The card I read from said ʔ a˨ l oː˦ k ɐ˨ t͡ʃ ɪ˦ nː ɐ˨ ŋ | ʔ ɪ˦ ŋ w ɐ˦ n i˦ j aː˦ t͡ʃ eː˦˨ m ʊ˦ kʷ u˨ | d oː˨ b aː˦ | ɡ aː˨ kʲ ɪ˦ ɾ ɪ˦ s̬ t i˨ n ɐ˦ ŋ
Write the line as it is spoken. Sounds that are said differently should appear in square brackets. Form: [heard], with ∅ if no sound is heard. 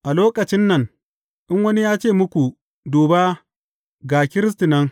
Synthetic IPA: ʔ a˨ l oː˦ k ɐ˨ t͡ʃ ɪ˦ nː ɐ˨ ŋ | ʔ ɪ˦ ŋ w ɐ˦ n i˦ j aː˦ t͡ʃ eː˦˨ m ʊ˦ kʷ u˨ | d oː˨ b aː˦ | ɡ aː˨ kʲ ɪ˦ ɾ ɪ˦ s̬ t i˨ n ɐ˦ ŋ